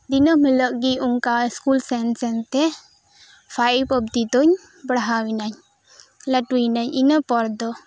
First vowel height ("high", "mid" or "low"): high